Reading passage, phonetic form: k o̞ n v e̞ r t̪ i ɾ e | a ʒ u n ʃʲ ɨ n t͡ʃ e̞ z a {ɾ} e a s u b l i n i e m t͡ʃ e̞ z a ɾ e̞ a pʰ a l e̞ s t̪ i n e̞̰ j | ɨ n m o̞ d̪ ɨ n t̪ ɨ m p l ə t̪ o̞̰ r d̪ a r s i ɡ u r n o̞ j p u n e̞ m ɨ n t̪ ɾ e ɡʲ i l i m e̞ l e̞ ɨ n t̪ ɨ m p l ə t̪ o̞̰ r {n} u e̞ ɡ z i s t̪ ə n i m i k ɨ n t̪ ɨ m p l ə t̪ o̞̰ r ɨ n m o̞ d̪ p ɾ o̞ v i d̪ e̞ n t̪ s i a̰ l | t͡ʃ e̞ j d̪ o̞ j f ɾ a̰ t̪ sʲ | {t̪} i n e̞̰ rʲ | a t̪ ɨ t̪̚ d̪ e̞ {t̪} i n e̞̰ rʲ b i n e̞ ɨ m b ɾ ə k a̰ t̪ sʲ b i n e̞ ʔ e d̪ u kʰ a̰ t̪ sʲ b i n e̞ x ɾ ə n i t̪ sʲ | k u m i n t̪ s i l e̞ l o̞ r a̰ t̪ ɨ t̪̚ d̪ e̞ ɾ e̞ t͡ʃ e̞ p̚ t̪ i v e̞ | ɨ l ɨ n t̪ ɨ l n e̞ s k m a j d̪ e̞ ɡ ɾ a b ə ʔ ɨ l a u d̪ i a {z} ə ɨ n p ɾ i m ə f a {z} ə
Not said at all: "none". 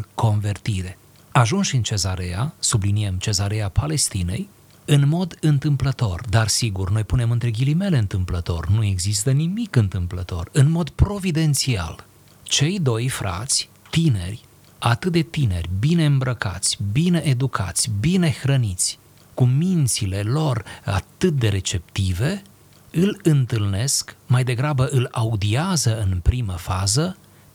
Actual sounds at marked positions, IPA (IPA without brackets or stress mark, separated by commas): ɾ, n, t̪, t̪, z, z